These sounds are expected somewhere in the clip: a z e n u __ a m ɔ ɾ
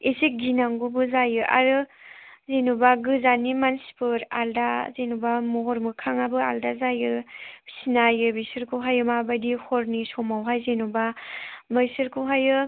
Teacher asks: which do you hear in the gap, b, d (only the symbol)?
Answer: b